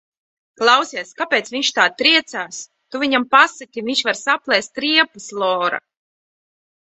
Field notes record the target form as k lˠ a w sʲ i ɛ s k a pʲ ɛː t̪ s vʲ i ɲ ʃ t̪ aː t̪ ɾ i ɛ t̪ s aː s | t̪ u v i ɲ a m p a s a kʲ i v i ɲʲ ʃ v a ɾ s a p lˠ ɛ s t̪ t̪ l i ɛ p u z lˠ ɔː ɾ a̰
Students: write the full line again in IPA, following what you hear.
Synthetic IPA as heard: k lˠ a w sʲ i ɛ s k a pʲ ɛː t̪ s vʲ i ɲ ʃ t̪ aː t̪ ɾ i ɛ t̪ s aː s | t̪ u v i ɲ a m p a s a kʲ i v i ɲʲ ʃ v a ɾ s a p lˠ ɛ s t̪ t̪ ɾ i ɛ p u s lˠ ɔː ɾ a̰